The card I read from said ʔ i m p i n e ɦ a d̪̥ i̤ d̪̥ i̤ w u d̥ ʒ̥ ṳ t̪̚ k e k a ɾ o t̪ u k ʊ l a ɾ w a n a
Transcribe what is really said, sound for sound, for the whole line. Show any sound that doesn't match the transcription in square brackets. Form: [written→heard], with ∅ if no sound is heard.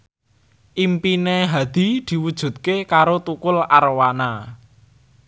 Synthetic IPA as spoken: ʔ i m p i n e ɦ a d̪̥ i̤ d̪̥ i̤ w u d̥ ʒ̥ ṳ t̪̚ k e k a ɾ o t̪ u k ʊ l a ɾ w a n a